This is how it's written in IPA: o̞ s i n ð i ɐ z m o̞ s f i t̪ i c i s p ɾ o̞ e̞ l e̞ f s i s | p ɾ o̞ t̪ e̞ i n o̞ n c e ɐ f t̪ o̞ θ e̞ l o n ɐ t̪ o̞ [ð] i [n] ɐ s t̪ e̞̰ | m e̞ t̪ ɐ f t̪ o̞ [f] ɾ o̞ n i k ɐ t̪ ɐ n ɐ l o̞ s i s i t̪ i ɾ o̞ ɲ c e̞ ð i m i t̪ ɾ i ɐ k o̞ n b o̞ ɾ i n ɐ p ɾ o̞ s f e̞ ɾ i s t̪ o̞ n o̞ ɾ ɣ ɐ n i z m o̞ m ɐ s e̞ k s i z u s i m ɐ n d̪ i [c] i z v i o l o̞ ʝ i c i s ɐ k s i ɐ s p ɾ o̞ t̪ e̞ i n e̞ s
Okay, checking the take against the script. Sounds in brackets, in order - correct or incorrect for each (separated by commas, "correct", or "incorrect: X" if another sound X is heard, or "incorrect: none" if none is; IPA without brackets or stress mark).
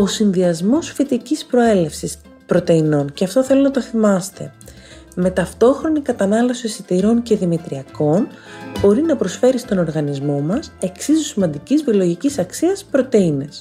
incorrect: θ, incorrect: m, incorrect: x, correct